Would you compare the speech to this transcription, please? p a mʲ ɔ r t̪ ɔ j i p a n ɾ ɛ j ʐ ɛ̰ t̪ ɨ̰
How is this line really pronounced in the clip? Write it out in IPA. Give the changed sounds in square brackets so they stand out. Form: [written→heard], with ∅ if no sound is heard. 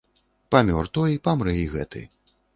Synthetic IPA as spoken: p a mʲ ɔ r t̪ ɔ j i p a [n→m] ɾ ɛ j [ʐ→ɣ] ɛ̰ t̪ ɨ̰